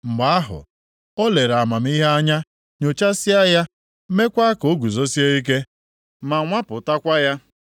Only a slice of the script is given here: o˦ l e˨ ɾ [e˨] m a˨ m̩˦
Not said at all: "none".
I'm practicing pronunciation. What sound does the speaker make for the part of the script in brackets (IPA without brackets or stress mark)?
a˨